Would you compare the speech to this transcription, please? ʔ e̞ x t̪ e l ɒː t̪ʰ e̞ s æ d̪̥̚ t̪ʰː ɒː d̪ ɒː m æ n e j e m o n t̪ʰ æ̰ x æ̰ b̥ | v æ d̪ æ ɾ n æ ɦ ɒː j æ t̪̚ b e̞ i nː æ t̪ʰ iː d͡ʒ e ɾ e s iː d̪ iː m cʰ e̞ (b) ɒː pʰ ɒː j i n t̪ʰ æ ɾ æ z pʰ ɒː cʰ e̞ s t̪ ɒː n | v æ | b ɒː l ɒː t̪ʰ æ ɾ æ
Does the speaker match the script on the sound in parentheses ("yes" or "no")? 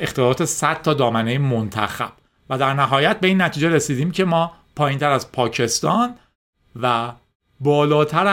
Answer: no